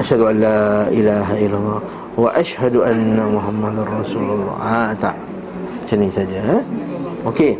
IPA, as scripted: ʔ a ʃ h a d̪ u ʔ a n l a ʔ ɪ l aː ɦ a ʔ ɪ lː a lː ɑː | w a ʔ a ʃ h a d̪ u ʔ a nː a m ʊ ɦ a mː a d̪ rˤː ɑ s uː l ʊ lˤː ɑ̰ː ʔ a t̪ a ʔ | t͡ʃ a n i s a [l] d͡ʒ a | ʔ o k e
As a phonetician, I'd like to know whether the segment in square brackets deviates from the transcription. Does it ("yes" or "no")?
yes